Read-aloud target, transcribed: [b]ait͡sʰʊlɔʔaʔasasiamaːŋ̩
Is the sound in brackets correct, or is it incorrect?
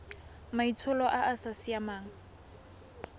incorrect